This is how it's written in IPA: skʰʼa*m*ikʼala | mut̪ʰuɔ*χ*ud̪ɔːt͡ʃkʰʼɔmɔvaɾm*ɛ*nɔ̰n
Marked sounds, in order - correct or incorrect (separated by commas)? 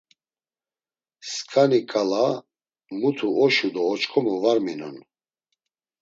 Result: incorrect, incorrect, incorrect